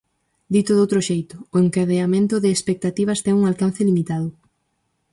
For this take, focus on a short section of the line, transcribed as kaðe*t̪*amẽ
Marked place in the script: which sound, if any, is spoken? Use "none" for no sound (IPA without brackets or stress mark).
none